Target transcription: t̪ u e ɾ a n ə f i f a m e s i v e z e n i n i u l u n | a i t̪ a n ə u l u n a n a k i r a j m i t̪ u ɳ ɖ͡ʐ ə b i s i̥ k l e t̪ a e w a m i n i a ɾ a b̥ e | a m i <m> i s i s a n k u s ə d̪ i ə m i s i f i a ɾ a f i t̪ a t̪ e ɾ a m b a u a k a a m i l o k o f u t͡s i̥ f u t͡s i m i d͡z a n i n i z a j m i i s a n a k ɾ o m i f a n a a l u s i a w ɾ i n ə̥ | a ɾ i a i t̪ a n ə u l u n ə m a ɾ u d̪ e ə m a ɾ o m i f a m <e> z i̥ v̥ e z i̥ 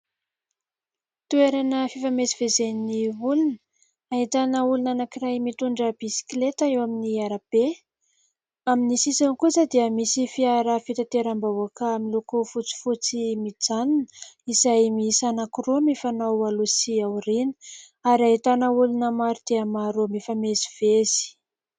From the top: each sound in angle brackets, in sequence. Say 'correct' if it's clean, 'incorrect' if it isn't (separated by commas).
incorrect, correct